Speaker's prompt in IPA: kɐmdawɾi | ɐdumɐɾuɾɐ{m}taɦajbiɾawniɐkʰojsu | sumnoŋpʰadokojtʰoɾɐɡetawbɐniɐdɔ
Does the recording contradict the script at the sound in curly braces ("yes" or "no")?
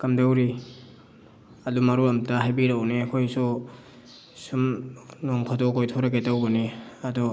no